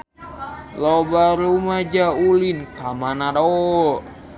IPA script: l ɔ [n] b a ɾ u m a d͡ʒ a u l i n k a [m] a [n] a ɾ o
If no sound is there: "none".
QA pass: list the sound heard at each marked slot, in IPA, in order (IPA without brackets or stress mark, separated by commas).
none, m, n